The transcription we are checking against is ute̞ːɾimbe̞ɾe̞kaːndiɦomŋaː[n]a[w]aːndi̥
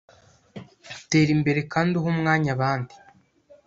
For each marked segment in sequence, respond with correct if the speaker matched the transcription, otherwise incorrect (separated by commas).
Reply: incorrect, incorrect